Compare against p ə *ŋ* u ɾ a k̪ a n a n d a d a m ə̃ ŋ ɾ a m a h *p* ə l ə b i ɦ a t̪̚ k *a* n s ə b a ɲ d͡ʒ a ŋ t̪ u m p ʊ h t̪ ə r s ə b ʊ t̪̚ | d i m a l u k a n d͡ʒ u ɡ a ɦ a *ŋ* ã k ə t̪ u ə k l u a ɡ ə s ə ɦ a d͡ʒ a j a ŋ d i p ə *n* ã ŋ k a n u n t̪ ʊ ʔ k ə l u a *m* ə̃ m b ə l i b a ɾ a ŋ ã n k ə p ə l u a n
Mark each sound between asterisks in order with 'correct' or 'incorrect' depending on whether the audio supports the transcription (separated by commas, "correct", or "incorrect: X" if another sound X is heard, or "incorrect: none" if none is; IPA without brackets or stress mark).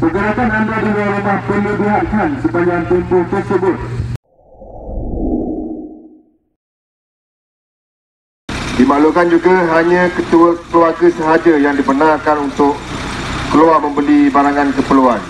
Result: incorrect: ɡ, correct, correct, incorrect: ɲ, correct, correct